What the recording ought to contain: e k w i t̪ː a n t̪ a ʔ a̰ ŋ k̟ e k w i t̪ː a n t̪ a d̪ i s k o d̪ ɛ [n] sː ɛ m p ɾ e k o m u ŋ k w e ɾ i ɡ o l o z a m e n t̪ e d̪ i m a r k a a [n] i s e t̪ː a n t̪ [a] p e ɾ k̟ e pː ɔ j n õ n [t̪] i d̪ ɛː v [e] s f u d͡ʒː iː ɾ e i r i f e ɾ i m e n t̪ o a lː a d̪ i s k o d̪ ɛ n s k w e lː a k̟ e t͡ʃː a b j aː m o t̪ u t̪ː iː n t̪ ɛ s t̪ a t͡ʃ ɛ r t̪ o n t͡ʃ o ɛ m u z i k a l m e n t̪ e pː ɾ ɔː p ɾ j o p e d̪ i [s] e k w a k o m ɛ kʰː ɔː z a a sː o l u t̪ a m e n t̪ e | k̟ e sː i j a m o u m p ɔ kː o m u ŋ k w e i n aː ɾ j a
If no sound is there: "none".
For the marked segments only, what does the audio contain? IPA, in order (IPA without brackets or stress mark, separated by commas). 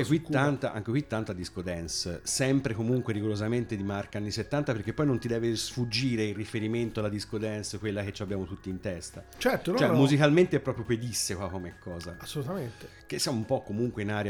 n, nː, a, t̪, e, sː